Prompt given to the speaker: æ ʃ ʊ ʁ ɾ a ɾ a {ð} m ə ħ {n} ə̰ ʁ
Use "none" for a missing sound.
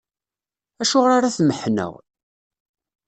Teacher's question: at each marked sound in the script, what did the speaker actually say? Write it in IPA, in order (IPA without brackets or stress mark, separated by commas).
θ, n